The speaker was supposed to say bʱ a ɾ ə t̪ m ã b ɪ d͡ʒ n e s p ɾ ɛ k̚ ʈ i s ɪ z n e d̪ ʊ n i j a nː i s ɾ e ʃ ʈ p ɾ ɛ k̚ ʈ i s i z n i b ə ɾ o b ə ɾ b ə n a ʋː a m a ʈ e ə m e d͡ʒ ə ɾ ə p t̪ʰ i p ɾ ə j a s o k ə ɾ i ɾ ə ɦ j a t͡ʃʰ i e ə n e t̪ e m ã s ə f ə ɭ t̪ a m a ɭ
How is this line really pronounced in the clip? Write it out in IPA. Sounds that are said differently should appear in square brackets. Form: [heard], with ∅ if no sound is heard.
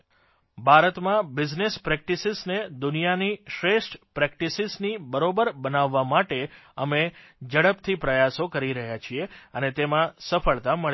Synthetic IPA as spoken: bʱ a ɾ ə t̪ m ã b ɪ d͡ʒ n e s p ɾ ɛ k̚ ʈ i s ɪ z n e d̪ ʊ n i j a [n] i [ʃ] ɾ e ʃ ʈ p ɾ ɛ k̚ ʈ i s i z n i b ə ɾ o b ə ɾ b ə n a ʋː a m a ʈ e ə m e d͡ʒ ə [ɽ] ə p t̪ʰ i p ɾ ə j a s o k ə ɾ i ɾ ə ɦ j a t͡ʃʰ i e ə n e t̪ e m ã s ə f ə ɭ t̪ a m [ə] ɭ